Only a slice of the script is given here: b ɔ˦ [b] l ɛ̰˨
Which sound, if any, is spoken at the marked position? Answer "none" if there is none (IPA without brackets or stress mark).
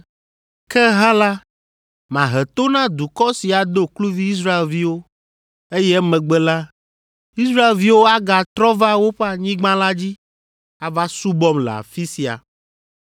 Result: m